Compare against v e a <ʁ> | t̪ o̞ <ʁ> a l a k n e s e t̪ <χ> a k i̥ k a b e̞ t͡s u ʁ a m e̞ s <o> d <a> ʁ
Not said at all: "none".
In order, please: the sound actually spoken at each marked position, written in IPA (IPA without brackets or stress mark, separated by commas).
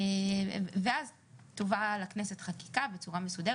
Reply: z, v, χ, u, e